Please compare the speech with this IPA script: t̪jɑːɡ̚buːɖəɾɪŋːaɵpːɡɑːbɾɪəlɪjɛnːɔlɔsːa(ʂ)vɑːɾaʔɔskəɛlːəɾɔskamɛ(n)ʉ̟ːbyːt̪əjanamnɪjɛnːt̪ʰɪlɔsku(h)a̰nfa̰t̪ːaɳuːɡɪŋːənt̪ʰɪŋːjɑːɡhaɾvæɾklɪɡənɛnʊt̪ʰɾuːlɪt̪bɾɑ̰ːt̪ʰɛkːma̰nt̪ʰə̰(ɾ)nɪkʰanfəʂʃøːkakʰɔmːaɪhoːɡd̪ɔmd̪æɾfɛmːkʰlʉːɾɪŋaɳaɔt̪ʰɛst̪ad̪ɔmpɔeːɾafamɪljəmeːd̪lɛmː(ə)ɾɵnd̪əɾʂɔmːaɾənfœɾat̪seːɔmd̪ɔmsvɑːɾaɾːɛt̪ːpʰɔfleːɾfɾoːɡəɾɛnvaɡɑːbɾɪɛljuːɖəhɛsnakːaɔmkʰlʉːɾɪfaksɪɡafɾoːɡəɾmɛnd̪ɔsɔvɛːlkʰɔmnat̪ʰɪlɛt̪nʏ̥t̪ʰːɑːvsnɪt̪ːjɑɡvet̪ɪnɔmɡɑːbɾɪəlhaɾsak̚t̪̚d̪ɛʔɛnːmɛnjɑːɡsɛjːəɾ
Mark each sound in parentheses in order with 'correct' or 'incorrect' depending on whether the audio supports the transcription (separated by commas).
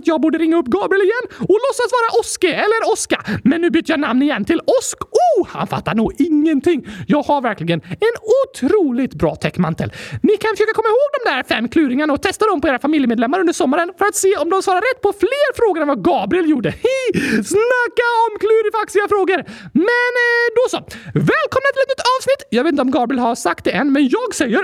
incorrect, incorrect, correct, incorrect, incorrect